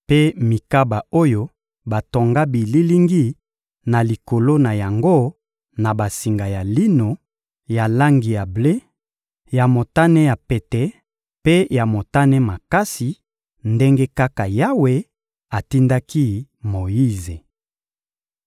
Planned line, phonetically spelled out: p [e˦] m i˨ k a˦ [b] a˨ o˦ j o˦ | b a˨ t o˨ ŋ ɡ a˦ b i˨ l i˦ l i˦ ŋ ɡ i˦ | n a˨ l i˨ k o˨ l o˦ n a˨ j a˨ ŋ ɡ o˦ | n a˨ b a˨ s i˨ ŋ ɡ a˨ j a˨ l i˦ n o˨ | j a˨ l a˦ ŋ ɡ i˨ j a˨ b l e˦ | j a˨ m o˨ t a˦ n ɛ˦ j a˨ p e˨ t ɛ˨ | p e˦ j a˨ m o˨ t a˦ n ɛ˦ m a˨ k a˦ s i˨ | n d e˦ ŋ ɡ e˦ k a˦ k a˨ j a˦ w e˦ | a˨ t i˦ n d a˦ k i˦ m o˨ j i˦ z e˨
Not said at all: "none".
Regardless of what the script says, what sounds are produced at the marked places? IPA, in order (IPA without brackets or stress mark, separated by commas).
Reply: e˦, b